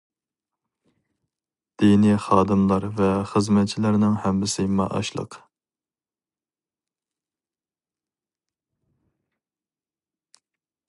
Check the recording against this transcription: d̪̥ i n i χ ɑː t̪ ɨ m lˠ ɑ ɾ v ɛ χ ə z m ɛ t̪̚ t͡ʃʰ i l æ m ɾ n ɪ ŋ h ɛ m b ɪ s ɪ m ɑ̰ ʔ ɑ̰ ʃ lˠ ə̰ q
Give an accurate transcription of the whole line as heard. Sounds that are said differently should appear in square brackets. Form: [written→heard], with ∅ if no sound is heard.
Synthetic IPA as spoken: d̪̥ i n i χ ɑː [t̪→d̪] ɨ m lˠ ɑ ɾ v ɛ χ ə z m ɛ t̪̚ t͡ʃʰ i l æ [m→∅] ɾ n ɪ ŋ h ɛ m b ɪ s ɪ m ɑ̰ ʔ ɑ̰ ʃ lˠ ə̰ q